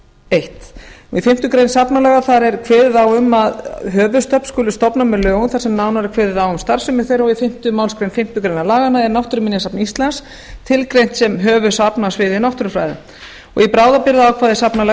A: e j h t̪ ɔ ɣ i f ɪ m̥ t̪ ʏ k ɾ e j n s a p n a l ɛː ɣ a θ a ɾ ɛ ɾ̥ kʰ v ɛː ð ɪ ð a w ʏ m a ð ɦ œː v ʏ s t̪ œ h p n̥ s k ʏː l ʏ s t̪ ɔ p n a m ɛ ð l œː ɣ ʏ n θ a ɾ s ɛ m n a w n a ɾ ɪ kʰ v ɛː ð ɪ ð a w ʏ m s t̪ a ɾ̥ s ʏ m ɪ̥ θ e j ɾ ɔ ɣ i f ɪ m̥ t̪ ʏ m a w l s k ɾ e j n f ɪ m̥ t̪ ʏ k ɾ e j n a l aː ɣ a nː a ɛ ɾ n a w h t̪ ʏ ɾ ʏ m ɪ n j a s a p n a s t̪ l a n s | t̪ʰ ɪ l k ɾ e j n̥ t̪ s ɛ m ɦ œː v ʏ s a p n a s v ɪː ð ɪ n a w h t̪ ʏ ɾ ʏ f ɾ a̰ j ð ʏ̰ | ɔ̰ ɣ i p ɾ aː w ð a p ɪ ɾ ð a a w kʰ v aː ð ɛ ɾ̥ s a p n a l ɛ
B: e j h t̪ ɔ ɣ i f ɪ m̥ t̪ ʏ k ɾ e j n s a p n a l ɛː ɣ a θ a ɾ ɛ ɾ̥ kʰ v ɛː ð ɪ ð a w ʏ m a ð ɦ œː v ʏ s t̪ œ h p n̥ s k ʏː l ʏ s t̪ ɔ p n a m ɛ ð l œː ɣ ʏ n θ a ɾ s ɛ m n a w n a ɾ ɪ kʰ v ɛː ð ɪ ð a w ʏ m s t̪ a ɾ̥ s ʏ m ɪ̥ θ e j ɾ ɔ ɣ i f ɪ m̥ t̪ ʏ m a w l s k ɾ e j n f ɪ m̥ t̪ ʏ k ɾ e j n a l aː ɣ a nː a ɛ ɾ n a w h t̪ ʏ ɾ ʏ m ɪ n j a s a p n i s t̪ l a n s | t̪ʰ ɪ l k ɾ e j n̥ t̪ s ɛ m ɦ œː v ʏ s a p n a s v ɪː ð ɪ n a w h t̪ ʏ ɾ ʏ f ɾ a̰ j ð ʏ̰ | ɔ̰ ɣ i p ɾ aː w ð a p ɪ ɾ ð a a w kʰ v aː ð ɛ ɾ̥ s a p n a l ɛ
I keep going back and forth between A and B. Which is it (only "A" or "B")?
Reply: B